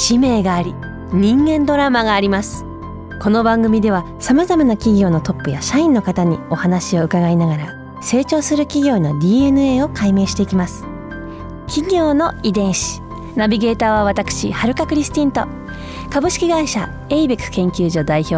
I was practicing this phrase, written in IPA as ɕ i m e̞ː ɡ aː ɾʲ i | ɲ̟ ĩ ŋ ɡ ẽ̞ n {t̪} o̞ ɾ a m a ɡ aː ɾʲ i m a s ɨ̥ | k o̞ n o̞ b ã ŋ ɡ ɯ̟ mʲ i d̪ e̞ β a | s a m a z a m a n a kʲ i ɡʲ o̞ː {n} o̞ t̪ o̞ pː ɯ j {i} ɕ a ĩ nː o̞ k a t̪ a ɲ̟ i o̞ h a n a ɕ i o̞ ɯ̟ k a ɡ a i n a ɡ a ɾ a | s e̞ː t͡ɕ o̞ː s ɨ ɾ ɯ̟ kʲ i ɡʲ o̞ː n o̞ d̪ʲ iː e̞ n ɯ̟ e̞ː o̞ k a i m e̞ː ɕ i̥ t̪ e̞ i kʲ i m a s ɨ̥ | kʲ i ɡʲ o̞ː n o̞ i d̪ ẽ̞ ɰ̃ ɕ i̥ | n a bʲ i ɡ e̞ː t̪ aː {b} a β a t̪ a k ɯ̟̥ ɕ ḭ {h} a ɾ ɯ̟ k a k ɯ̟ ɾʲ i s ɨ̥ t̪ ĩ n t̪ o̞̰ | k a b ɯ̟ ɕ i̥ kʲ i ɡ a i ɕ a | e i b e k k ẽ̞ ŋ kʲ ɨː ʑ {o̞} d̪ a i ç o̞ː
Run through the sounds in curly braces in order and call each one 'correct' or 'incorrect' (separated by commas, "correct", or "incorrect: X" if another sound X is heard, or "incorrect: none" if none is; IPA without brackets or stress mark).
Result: incorrect: d̪, correct, incorrect: a, incorrect: β, correct, correct